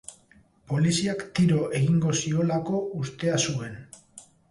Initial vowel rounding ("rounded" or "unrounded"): rounded